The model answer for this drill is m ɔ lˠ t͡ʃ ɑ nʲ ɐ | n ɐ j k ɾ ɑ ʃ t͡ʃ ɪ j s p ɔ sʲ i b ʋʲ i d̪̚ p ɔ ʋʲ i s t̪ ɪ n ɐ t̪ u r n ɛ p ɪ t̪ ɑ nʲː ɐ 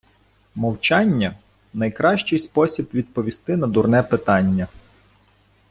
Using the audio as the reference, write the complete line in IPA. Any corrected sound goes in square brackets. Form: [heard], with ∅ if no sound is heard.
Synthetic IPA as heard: m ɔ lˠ t͡ʃ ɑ [nʲː] ɐ | n ɐ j k ɾ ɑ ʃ t͡ʃ ɪ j s p ɔ sʲ i b ʋʲ i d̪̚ p ɔ ʋʲ i s t̪ ɪ n ɐ [d̪] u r n ɛ p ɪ t̪ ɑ nʲː ɐ